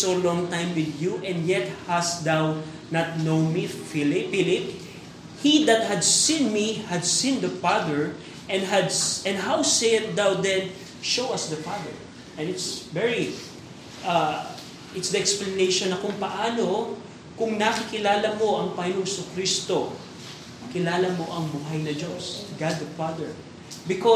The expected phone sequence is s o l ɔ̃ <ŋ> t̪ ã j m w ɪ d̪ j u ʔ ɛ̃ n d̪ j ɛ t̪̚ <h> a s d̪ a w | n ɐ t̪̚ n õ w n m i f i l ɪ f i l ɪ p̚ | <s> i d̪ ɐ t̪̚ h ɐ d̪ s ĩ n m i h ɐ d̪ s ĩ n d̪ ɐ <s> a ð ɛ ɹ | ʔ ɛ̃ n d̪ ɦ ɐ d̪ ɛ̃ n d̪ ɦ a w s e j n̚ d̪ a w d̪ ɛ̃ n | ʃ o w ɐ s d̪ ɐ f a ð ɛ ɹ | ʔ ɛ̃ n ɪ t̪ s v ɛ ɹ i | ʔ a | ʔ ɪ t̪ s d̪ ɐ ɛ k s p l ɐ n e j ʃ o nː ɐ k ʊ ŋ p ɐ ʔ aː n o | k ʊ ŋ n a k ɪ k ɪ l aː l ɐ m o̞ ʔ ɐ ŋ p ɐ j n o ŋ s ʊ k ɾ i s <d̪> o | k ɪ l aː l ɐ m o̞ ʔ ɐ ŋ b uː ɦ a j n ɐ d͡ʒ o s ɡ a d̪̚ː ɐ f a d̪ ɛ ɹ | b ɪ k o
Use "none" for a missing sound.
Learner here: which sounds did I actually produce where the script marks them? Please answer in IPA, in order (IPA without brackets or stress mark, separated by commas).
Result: ŋ, h, h, f, t̪